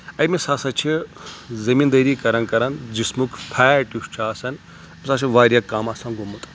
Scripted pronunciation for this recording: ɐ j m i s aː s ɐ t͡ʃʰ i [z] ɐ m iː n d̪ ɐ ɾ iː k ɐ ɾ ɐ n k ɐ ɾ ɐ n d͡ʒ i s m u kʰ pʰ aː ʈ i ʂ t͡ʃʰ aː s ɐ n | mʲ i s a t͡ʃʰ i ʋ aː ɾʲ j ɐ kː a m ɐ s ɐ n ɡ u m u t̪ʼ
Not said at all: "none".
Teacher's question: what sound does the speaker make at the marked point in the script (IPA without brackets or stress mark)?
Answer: z